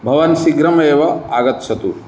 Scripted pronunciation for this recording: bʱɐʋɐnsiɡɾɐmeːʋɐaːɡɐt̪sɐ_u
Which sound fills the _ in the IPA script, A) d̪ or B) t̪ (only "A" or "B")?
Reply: B